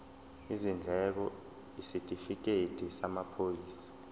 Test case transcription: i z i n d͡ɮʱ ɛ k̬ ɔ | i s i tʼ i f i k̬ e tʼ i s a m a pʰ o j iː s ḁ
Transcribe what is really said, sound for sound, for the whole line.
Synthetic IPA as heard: i z i n d͡ɮʱ ɛ k̬ ɔ | i s i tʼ i f i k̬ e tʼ i s a m a pʰ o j iː s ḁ